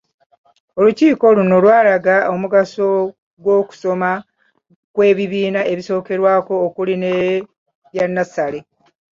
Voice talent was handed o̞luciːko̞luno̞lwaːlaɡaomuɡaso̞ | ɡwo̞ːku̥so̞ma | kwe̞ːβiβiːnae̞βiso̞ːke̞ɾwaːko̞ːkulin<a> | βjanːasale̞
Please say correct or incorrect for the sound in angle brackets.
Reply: incorrect